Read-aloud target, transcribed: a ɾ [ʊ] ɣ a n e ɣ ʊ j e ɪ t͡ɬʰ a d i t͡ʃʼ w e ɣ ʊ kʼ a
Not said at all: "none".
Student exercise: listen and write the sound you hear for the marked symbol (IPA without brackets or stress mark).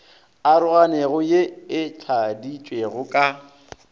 ʊ